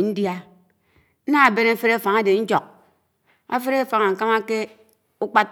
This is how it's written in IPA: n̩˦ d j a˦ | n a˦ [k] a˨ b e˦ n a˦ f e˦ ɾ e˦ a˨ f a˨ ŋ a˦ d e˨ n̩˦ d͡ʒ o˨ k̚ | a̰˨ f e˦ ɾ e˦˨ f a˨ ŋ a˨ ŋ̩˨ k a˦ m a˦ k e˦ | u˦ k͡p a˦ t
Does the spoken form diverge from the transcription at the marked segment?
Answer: yes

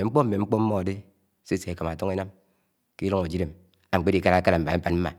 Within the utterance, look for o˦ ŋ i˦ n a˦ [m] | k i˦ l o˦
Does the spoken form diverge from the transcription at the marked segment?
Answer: no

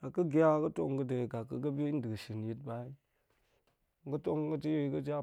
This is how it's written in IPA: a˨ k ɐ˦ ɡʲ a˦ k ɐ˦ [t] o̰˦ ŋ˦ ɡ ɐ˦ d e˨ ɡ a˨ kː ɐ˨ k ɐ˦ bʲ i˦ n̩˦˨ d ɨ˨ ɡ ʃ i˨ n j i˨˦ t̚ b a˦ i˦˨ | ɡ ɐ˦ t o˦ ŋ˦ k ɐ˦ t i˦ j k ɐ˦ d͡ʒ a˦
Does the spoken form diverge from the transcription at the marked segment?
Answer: no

